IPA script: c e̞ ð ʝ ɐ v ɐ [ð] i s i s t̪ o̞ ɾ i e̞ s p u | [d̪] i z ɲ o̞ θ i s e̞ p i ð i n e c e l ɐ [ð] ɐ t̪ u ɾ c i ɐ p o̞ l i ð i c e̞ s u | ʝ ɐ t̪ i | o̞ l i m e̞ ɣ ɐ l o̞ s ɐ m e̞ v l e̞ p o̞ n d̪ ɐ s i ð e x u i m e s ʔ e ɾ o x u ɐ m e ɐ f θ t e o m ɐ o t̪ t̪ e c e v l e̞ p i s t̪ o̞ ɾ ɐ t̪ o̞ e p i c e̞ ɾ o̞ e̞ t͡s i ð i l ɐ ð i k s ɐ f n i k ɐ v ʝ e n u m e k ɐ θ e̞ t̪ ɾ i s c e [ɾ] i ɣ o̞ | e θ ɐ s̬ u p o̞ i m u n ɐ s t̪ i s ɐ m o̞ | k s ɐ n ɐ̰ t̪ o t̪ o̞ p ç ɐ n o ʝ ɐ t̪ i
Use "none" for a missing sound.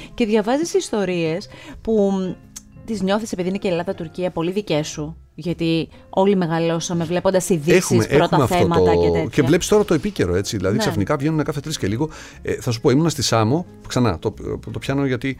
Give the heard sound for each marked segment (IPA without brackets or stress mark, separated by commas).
z, t̪, ð, l